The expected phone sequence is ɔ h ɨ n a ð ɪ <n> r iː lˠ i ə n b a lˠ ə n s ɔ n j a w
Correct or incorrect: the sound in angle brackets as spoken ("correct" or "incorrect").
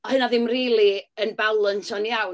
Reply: incorrect